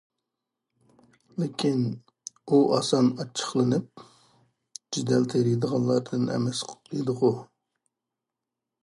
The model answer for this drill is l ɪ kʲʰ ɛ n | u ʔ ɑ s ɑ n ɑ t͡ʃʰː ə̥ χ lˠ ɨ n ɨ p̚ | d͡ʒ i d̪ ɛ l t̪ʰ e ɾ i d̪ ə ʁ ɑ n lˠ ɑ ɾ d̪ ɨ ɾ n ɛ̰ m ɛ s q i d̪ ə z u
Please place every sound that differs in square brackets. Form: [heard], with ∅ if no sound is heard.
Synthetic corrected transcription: l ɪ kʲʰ [i] n | u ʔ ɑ s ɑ n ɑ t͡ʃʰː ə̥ χ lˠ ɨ n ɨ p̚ | d͡ʒ i d̪ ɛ l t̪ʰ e ɾ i d̪ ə ʁ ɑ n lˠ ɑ ɾ d̪ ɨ [∅] n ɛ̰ m ɛ s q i d̪ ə [ʁ] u